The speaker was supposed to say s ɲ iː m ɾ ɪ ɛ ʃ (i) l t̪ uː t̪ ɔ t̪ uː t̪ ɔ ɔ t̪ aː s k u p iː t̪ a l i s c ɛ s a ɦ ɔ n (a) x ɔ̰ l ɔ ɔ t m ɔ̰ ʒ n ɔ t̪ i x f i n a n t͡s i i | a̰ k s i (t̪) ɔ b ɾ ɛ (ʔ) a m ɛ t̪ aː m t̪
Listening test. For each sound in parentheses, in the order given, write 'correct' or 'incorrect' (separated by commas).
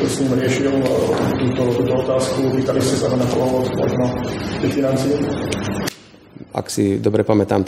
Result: correct, correct, incorrect, incorrect